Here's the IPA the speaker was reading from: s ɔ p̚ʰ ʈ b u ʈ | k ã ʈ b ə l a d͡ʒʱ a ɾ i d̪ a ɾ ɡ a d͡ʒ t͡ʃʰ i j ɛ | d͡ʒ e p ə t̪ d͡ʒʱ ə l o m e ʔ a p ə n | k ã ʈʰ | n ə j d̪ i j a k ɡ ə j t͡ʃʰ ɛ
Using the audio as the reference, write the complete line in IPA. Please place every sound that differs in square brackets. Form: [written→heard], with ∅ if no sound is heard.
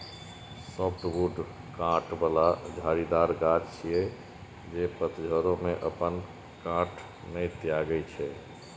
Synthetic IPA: s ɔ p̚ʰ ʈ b u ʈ | k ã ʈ b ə l a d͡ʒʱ a ɾ i d̪ a ɾ ɡ a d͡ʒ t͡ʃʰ i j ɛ | d͡ʒ e p ə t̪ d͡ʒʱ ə [l→ɾ] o m e ʔ [a→ə] p ə n | k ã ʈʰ | n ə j [d̪→t̪] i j a [k→∅] ɡ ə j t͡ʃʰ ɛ

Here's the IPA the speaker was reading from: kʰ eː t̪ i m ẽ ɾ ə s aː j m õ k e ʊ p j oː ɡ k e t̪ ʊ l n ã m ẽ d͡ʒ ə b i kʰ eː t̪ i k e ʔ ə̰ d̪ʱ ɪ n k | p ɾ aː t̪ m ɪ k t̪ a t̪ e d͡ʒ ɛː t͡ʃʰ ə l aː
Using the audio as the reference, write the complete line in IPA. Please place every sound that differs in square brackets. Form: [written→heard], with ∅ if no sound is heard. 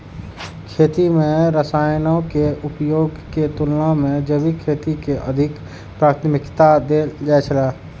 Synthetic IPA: kʰ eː t̪ i m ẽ ɾ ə s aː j [m→n] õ k e ʊ p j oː ɡ k e t̪ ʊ l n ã m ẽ d͡ʒ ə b i kʰ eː t̪ i k e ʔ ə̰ d̪ʱ ɪ [n→∅] k | p ɾ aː t̪ m ɪ k t̪ a [t̪→d̪] e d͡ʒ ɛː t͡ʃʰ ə l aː

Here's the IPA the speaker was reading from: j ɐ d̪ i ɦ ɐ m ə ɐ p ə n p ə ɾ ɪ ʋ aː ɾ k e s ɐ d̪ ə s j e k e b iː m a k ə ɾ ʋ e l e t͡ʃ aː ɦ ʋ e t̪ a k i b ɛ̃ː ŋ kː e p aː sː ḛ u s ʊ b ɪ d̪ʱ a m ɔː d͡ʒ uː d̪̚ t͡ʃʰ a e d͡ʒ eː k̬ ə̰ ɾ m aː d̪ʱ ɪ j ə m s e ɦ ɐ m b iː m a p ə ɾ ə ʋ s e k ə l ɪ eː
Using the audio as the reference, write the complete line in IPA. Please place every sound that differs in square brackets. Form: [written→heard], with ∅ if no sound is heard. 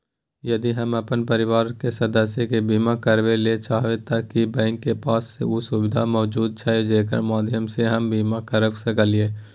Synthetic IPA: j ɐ d̪ i ɦ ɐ m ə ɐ p ə n p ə ɾ ɪ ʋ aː ɾ k e s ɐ d̪ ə s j e k e b iː m a k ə ɾ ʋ e l e t͡ʃ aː ɦ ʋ e t̪ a k i b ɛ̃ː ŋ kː e p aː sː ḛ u s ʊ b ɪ d̪ʱ a m ɔː d͡ʒ uː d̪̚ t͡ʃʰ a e d͡ʒ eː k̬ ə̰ ɾ m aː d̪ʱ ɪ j ə m s e ɦ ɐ m b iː m a [p→k] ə ɾ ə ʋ s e k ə l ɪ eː

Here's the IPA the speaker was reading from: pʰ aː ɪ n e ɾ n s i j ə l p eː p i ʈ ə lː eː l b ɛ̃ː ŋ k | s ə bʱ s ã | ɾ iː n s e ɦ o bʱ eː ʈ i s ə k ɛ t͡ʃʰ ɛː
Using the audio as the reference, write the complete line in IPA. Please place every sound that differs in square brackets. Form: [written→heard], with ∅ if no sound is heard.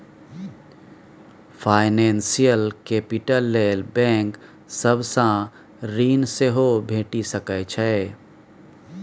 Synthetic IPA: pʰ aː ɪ n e [ɾ→∅] n s i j ə l [p→k] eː p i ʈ ə lː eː l b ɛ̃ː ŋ k | s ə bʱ s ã | ɾ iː n s e ɦ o bʱ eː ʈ i s ə k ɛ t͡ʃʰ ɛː

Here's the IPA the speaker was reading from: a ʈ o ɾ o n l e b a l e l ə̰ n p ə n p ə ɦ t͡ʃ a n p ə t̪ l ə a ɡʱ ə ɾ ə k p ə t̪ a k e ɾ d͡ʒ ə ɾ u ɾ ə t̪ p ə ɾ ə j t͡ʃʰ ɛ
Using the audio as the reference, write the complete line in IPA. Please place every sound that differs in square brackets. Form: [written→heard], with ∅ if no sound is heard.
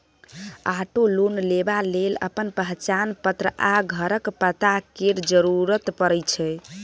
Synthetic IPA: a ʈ o [ɾ→l] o n l e b a l e l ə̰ [n→∅] p ə n p ə ɦ t͡ʃ a n p ə t̪ [l→ɾ] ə a ɡʱ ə ɾ ə k p ə t̪ a k e ɾ d͡ʒ ə ɾ u ɾ ə t̪ p ə ɾ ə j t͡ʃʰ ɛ

